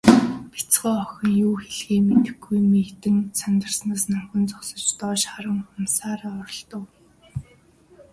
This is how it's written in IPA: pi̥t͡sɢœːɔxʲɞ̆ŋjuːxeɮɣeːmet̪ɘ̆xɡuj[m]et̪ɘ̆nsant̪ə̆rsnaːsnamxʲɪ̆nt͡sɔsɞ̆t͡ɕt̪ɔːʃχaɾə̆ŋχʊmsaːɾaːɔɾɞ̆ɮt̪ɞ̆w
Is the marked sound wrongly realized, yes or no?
no